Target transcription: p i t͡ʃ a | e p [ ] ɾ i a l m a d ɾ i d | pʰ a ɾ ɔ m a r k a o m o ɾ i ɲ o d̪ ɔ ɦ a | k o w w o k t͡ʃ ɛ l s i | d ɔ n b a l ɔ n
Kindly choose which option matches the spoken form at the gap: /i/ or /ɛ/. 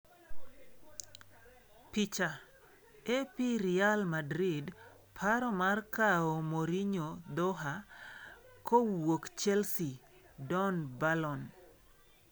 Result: i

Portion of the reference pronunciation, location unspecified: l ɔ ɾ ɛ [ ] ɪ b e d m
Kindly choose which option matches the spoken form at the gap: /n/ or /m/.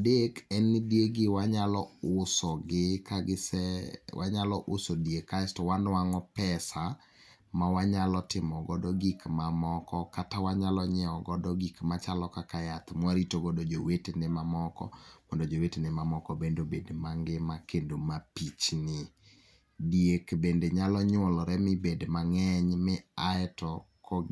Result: m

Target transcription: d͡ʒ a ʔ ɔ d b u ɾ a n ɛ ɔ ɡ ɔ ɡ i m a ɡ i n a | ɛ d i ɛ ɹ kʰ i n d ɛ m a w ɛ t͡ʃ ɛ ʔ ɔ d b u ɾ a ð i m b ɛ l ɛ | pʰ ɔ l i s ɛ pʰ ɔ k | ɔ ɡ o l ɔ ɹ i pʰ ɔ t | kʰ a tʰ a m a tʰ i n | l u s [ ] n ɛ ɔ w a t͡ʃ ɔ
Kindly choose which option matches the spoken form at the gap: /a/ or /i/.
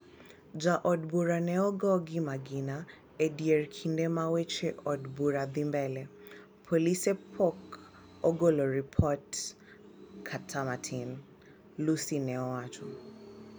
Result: i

